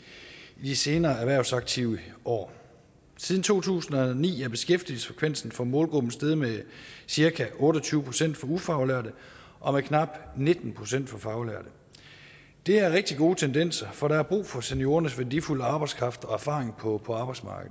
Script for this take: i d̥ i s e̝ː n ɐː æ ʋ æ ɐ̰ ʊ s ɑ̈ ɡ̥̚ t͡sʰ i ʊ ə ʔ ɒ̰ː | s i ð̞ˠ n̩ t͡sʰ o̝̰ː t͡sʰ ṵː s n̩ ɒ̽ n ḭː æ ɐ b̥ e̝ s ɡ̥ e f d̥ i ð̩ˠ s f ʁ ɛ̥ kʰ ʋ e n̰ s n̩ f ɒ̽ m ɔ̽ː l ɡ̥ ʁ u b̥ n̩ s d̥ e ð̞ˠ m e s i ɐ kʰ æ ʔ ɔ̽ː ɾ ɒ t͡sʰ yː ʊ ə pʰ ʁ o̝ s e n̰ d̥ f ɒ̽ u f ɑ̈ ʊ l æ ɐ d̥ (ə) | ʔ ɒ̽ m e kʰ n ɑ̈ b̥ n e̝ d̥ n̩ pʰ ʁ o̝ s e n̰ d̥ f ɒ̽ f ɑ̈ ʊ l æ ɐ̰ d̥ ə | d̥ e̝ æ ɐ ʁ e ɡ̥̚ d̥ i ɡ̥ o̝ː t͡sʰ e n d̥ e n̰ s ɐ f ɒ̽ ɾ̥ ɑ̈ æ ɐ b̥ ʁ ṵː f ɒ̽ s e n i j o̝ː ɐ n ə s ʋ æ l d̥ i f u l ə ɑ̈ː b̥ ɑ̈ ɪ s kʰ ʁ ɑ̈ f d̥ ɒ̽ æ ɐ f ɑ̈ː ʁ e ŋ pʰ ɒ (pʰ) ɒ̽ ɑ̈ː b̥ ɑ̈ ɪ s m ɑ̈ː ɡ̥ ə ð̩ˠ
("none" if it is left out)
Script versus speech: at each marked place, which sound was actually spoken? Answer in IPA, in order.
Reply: ə, pʰ

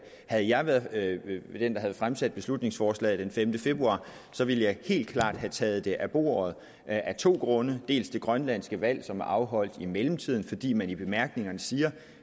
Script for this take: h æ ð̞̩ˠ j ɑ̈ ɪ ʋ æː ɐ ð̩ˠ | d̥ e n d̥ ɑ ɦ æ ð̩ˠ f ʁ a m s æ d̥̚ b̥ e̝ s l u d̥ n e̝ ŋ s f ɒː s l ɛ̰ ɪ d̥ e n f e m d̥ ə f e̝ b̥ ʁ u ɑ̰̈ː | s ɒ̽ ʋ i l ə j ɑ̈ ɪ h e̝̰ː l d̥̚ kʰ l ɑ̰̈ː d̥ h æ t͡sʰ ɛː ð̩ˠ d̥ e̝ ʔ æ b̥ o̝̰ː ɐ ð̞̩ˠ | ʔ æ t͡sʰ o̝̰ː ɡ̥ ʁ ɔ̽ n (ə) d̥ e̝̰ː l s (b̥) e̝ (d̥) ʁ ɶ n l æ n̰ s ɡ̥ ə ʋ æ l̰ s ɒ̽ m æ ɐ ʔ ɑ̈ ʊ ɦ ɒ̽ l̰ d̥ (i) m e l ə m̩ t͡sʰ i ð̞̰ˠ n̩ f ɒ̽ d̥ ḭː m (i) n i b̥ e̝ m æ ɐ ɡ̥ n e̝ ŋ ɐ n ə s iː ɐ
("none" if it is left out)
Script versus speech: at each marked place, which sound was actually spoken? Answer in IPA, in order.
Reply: ə, d̥, ɡ̥, i, æ

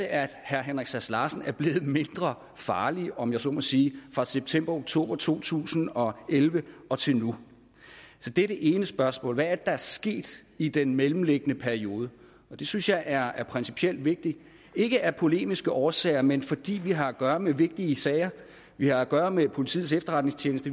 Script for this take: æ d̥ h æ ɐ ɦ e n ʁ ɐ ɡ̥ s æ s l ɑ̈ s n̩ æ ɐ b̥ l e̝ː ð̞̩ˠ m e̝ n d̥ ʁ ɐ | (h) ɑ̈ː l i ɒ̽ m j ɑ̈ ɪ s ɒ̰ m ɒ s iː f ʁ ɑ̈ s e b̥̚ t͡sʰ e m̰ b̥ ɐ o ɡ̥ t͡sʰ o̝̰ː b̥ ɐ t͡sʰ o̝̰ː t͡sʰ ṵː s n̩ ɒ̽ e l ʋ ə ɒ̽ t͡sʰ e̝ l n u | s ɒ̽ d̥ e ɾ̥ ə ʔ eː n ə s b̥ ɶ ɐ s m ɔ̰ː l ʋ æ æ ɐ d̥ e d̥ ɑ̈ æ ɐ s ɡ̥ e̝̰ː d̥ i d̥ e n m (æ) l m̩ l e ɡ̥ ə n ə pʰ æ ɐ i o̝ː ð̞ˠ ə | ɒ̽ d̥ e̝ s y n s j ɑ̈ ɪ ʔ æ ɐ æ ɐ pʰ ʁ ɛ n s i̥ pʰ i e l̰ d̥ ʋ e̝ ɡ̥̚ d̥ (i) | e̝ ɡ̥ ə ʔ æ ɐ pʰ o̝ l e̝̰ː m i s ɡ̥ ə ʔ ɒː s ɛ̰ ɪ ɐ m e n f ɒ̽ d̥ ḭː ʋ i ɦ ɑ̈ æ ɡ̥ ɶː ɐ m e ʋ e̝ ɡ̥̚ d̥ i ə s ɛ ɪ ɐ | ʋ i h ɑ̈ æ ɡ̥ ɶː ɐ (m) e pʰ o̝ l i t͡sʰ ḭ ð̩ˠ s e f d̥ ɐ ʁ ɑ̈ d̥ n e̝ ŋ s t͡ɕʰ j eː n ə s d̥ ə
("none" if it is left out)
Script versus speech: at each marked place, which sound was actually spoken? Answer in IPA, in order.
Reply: f, e, i, m

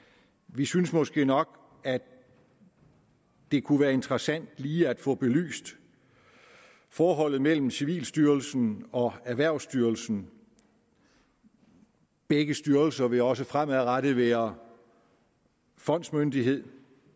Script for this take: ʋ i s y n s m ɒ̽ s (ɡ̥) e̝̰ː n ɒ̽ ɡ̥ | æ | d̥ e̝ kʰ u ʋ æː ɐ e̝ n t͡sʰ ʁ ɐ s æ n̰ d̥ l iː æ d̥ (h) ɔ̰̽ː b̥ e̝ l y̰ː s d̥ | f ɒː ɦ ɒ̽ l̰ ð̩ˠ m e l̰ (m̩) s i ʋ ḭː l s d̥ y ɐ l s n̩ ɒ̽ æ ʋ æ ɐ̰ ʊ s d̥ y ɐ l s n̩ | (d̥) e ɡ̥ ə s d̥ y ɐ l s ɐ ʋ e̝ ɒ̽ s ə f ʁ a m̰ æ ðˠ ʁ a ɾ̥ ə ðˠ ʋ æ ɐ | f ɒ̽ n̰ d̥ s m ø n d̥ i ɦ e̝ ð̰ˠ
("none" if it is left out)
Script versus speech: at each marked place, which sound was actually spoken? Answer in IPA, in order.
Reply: ɡ̥, f, m̩, b̥

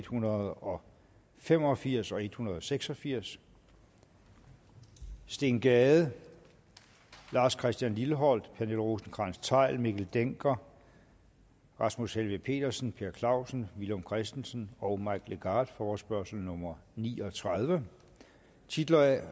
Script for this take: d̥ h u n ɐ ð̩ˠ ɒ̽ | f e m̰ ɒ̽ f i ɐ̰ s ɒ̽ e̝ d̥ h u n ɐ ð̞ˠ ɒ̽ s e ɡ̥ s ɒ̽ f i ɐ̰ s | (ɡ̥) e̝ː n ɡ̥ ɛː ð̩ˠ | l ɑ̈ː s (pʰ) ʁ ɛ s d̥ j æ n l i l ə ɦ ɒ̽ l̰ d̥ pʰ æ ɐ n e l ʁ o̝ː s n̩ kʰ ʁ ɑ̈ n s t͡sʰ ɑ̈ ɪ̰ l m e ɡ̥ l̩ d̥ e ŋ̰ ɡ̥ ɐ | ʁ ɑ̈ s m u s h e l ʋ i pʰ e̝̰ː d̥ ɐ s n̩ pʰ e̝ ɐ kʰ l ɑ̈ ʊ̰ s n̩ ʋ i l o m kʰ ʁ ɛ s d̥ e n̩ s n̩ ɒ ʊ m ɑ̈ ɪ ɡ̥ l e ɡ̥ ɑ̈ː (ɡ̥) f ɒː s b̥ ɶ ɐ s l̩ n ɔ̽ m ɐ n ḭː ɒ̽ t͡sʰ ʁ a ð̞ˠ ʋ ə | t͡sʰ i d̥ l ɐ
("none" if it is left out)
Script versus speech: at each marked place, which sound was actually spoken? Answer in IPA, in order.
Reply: d̥, kʰ, d̥

